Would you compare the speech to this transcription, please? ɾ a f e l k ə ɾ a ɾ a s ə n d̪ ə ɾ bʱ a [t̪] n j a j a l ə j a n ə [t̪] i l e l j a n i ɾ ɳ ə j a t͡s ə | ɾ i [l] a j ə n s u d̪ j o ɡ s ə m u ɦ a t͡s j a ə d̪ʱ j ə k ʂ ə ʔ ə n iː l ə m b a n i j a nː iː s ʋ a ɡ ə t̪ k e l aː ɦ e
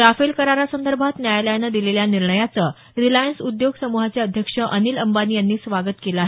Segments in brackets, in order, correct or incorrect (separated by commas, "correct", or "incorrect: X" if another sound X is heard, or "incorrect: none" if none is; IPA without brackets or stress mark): correct, incorrect: d̪, correct